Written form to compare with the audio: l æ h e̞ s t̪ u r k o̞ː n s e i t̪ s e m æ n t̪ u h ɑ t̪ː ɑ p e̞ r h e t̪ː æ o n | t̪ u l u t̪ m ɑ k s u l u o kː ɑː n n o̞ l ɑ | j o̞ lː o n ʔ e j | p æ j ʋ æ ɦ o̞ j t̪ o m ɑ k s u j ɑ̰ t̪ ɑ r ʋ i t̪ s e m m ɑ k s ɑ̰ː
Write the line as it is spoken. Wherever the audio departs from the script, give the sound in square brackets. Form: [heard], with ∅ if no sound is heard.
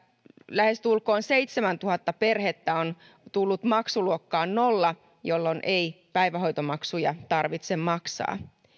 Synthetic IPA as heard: l æ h e̞ s t̪ u [l] k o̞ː n s e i t̪ s e m æ n t̪ u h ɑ t̪ː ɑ p e̞ r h e t̪ː æ o n | t̪ u [lː] u t̪ m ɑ k s u l u o kː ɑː n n o̞ [lː] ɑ | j o̞ lː o n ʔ e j | p æ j ʋ æ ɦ o̞ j t̪ o m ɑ k s u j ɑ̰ t̪ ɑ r ʋ i t̪ s e m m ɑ k s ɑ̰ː